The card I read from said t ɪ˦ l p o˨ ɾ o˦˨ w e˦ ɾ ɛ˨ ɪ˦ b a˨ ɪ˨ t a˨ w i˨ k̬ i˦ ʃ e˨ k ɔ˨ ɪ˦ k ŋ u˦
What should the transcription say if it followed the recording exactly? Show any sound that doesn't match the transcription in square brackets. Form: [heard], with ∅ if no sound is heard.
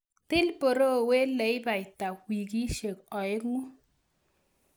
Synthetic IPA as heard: t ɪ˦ l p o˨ ɾ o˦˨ w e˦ [l] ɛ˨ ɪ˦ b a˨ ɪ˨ t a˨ w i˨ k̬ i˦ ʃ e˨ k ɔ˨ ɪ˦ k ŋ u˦